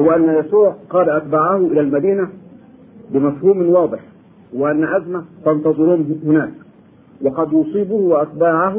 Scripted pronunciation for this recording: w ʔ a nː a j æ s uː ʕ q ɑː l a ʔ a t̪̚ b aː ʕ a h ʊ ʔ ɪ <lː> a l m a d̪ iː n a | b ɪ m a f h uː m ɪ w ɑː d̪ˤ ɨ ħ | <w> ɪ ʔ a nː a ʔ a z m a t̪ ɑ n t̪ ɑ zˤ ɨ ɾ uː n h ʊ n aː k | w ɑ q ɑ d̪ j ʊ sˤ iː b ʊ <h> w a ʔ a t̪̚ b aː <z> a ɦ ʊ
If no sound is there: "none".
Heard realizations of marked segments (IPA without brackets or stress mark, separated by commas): l, w, h, ʕ